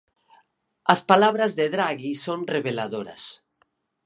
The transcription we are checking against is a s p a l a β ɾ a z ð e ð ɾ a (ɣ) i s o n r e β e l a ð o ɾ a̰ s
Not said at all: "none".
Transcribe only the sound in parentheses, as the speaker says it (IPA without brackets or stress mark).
ɣ